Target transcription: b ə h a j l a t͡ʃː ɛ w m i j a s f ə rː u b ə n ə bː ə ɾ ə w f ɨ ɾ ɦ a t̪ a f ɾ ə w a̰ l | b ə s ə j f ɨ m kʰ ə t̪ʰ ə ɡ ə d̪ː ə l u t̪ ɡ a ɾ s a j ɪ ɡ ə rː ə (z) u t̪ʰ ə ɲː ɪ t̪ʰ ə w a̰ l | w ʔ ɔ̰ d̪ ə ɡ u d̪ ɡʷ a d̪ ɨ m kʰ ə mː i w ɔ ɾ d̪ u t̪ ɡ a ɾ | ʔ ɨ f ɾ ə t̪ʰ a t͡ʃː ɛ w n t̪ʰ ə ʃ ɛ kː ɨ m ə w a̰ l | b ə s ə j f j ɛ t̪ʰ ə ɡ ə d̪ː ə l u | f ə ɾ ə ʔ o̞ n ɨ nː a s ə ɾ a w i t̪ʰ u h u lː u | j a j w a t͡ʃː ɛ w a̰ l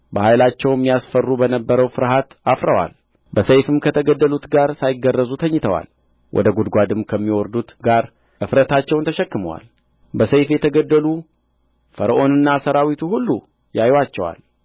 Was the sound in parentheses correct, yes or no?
yes